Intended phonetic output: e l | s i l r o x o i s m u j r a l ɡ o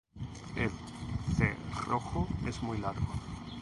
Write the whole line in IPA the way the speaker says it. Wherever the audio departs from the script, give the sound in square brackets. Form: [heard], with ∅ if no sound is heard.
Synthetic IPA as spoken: e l | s [e] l r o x o [e] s m u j [l] a [ɾ] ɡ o